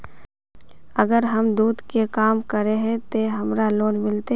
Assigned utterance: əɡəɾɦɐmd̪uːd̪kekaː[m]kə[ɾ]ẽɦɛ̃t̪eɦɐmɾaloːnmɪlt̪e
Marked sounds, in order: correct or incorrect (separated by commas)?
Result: correct, correct